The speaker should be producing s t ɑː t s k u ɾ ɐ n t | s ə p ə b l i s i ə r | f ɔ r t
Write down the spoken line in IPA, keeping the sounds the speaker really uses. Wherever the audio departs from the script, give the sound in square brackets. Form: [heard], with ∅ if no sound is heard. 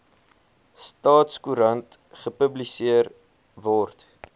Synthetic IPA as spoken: s t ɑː t s k u ɾ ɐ n t | [χ] ə p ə b l i s i ə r | [v] ɔ r t

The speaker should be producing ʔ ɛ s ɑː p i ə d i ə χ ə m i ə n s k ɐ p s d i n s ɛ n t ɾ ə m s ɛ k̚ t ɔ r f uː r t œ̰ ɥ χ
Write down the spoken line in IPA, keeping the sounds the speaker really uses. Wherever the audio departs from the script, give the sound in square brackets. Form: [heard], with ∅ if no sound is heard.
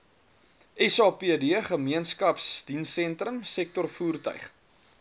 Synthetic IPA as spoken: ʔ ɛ s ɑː p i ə d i ə χ ə m i ə n s k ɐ p s d i n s ɛ n t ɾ ə m s ɛ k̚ t ɔ r f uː r t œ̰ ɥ χ

